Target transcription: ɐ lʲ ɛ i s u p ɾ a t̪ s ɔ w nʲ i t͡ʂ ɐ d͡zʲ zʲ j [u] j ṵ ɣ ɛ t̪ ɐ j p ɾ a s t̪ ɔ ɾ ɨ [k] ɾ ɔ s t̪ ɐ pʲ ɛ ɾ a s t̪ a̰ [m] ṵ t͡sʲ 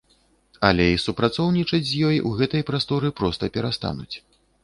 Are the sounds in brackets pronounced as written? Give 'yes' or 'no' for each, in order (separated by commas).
no, no, no